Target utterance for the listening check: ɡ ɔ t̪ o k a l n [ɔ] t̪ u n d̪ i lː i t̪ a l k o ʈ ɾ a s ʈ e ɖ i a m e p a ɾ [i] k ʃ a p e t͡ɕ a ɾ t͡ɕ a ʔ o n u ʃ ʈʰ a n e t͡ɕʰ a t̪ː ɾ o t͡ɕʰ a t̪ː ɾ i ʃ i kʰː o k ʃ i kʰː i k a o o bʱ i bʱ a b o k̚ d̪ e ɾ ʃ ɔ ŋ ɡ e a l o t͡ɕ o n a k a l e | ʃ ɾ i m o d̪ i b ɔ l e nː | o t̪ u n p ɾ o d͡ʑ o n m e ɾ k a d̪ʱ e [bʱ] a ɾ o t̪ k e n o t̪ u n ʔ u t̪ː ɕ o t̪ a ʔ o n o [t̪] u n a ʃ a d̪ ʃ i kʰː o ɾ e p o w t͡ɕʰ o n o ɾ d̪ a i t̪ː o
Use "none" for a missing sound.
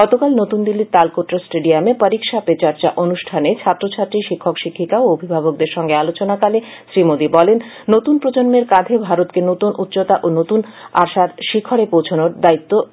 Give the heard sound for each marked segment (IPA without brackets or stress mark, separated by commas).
o, i, bʱ, t̪